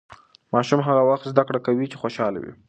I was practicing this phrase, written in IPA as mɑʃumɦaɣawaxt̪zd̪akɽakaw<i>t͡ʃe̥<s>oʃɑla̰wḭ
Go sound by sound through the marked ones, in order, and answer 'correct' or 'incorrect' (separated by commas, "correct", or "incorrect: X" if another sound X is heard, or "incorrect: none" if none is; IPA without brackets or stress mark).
correct, incorrect: x